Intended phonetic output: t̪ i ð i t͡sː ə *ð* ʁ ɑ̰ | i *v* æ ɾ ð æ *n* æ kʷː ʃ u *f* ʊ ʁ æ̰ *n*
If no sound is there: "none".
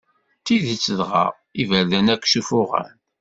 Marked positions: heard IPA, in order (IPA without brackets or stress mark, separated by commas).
ð, v, n, f, n